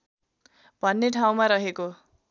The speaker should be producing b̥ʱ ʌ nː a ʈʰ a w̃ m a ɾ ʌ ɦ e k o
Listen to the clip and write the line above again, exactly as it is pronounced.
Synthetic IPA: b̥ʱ ʌ nː e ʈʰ a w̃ m a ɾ ʌ ɦ e k o